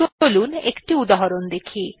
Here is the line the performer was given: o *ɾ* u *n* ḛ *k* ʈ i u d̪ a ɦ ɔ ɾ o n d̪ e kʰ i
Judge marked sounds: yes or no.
no, yes, yes

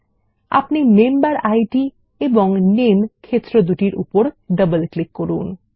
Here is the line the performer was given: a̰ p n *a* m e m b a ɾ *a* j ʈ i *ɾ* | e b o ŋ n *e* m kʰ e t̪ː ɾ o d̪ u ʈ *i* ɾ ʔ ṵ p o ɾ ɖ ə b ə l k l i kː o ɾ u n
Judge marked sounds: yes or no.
no, yes, no, yes, yes

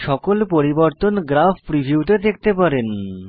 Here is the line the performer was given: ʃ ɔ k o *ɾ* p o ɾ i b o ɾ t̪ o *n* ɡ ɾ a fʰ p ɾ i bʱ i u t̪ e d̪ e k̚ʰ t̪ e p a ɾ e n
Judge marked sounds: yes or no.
no, yes

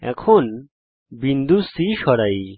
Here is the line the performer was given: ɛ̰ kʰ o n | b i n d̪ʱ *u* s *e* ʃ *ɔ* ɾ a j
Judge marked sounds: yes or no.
yes, no, yes

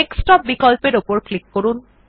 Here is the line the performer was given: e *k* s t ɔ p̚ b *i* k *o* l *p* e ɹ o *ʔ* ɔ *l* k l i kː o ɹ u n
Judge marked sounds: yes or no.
yes, yes, no, yes, no, no

